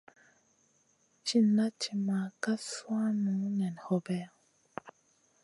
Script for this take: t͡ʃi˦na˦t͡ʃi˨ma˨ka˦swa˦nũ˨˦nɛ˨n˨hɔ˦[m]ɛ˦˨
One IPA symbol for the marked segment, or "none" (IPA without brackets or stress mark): b